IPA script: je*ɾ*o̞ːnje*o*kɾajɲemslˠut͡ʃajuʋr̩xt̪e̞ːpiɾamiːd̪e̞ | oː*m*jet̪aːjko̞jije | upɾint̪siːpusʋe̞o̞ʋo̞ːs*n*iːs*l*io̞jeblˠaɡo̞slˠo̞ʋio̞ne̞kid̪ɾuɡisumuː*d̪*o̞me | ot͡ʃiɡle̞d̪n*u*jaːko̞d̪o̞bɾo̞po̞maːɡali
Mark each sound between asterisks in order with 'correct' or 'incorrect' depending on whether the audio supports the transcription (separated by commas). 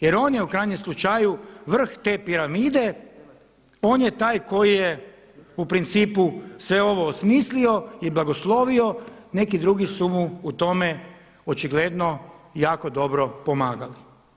correct, incorrect, incorrect, incorrect, correct, incorrect, incorrect